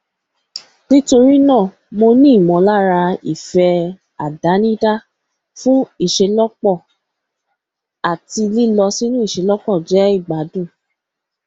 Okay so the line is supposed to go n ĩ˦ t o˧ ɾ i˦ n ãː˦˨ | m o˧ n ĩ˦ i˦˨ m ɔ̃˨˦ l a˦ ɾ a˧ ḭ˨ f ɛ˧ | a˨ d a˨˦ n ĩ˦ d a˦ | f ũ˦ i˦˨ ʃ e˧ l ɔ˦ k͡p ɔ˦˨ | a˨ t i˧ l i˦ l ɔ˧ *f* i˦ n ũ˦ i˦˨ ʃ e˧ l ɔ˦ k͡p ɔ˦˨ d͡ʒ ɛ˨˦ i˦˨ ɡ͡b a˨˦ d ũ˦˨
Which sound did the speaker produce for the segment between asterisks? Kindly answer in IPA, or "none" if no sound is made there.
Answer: s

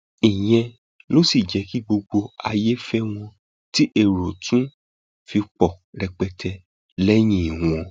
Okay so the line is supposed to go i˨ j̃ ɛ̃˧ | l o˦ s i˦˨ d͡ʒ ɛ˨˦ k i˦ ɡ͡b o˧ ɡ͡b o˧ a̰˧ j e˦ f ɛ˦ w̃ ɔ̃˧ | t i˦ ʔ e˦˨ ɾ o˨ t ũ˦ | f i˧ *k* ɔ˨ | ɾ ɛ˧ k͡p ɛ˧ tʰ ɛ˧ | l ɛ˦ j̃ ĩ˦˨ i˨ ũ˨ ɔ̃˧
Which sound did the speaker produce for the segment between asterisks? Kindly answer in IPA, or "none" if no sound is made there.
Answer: k͡p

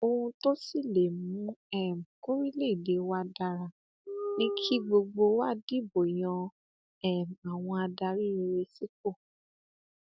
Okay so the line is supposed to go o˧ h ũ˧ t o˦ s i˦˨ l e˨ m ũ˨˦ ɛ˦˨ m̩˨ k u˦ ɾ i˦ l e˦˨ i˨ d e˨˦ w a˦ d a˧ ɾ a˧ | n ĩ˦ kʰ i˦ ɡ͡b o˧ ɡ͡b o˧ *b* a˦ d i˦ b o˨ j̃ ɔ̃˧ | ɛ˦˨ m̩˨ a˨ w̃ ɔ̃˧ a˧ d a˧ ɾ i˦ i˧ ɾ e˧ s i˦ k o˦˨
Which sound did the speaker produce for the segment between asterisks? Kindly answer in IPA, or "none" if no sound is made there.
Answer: w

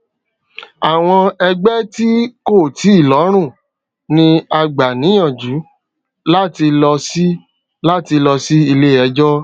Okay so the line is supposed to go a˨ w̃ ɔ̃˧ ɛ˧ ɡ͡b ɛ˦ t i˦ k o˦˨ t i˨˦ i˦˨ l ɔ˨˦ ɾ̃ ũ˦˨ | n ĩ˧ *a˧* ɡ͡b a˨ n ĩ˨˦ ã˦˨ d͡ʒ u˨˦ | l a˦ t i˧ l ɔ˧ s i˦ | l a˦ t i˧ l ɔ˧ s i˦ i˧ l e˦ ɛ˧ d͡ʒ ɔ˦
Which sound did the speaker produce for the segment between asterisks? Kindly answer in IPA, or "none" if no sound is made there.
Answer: a˧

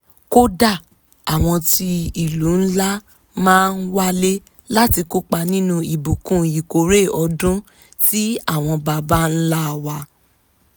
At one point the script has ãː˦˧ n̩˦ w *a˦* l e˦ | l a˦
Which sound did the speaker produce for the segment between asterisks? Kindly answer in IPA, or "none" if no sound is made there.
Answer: a˦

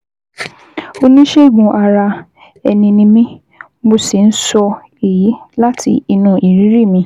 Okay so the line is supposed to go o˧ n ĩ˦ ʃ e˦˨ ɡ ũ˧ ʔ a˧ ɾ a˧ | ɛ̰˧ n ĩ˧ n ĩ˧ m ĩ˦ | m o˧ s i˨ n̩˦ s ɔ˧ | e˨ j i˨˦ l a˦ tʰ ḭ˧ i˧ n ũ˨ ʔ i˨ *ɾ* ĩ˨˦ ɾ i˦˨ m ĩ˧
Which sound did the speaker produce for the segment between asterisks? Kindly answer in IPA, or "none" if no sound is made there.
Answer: ɾ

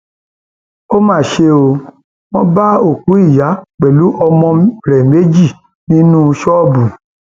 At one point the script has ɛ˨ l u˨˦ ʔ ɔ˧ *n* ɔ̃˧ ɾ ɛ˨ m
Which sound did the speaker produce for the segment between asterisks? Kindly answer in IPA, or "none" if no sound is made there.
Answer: m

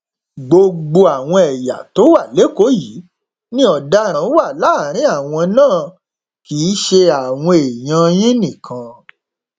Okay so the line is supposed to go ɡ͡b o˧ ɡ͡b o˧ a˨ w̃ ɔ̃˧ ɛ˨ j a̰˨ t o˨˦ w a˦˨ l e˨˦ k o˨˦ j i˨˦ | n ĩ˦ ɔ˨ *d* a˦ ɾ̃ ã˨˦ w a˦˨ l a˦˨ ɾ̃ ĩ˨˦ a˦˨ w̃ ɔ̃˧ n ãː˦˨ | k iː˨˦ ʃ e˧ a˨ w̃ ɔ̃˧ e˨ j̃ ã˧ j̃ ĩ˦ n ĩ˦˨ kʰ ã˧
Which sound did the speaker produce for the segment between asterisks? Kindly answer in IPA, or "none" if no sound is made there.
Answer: d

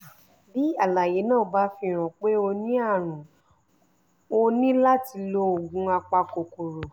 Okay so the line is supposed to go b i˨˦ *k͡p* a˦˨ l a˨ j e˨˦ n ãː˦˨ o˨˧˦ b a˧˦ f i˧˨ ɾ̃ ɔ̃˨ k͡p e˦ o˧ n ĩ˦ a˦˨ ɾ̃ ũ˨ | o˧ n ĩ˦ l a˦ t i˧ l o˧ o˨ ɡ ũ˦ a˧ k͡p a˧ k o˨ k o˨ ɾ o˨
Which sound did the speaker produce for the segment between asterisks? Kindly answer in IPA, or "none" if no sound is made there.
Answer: none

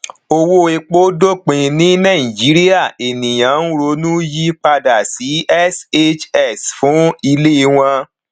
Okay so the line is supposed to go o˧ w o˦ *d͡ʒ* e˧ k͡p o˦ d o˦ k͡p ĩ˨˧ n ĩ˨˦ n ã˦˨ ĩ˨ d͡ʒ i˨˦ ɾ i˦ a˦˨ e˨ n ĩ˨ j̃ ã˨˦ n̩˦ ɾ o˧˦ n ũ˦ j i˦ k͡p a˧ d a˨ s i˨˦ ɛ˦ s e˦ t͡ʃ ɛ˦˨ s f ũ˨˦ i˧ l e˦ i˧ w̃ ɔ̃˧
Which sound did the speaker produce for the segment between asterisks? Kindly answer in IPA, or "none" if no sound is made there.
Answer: none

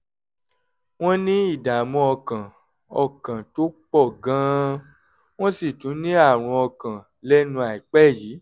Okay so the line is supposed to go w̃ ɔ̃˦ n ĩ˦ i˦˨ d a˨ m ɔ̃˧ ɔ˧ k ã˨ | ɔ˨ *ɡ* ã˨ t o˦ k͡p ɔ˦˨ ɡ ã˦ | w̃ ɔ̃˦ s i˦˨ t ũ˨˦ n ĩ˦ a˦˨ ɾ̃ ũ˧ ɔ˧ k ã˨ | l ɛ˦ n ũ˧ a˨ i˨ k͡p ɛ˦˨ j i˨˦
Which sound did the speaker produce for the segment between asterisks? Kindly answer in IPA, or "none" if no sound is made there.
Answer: k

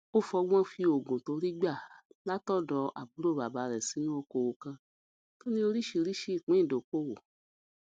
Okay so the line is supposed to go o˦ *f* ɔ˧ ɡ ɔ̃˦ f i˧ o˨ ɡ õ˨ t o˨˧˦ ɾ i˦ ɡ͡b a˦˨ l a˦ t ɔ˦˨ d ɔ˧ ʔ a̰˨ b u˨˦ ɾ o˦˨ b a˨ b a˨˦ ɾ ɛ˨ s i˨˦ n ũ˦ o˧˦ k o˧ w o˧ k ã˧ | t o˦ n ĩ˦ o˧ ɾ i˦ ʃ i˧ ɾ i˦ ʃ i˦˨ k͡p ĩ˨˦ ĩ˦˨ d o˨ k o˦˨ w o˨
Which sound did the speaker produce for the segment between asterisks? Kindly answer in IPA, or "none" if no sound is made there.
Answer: f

